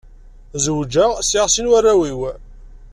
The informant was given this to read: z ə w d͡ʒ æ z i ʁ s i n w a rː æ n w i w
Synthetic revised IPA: z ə w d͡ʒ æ s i ʁ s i n w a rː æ w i w